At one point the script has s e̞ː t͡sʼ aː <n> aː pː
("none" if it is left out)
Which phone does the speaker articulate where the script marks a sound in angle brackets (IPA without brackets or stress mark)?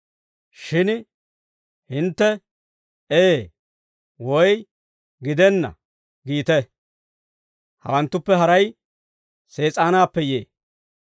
n